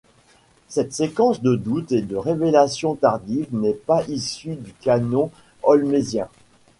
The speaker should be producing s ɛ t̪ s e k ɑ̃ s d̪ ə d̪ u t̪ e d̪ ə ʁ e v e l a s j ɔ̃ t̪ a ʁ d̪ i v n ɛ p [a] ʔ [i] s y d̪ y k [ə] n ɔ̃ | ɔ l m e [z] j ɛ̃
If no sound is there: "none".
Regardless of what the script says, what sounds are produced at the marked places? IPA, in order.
a, i, a, z

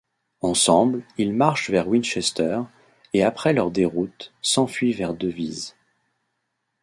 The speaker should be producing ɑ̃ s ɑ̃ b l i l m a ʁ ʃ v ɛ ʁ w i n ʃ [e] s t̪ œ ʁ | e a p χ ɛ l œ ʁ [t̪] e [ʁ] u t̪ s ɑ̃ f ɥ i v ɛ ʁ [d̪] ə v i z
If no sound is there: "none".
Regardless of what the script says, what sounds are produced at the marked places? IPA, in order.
ɛ, d̪, ʁ, d̪

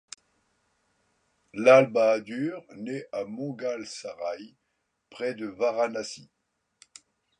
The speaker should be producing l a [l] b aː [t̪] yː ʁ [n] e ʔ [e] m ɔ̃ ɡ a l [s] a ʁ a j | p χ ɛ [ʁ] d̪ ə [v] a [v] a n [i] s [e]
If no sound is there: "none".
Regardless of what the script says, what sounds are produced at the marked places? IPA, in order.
l, d̪, n, a, s, none, v, ʁ, a, i

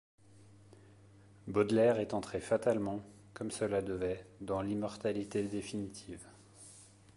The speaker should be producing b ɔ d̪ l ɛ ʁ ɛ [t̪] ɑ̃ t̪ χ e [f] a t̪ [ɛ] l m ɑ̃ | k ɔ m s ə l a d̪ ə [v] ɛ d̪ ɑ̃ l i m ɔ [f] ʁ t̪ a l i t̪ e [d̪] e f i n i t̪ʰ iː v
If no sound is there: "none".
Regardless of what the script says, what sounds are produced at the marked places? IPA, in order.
t̪, f, a, v, none, d̪

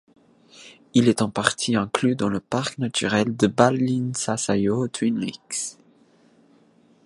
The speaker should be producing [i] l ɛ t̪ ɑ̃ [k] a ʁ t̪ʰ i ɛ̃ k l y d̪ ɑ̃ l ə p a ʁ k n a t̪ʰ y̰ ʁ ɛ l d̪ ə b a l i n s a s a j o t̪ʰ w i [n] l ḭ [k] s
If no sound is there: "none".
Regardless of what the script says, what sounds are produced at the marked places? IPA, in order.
i, p, n, k

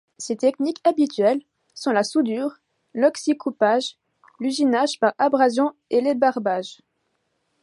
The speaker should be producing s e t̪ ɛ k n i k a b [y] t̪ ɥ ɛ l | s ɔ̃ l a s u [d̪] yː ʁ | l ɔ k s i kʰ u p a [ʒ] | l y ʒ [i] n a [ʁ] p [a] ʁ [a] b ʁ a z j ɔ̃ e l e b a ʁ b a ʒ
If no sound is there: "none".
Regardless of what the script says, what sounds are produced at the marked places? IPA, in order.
i, d̪, ʒ, i, ʒ, a, a

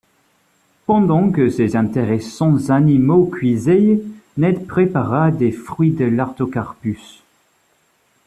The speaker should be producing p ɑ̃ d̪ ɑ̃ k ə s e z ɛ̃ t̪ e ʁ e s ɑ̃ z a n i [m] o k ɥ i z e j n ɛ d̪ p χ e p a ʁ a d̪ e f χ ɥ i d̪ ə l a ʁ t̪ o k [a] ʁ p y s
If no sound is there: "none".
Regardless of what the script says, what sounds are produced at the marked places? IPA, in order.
m, a

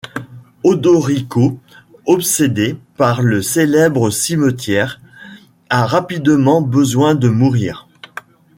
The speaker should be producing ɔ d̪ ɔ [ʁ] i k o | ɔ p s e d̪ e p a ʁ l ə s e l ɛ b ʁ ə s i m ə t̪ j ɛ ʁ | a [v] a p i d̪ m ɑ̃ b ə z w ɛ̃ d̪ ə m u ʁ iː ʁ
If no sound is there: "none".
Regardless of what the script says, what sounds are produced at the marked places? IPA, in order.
ʁ, ʁ

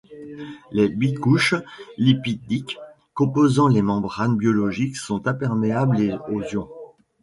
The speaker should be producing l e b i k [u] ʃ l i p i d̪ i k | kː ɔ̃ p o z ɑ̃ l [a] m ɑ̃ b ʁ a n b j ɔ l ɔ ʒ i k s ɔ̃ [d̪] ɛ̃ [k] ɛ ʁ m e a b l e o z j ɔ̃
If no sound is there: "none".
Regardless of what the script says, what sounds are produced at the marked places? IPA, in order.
u, e, t̪, p

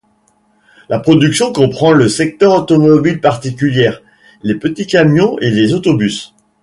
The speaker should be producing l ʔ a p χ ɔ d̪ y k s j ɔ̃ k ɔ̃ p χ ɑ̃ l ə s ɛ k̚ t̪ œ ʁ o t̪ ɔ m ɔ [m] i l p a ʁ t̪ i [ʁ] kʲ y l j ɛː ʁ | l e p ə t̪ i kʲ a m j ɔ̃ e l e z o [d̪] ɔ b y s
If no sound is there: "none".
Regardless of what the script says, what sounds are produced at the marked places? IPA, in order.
b, none, t̪

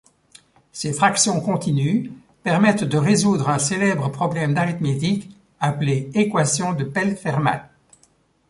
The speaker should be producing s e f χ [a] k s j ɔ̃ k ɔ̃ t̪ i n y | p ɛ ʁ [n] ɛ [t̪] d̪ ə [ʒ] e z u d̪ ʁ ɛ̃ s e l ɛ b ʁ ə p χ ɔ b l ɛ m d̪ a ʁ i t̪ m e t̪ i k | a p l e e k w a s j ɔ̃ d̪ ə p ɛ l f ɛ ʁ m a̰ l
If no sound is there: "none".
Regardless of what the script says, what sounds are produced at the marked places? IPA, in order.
a, m, t̪, ʁ

